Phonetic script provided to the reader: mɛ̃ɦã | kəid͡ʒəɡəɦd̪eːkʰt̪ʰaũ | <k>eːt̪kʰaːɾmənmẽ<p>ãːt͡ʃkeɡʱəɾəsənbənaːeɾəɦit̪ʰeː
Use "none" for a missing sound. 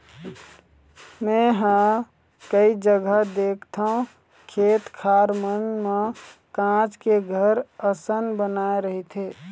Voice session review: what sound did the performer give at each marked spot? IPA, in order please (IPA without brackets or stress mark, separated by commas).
kʰ, k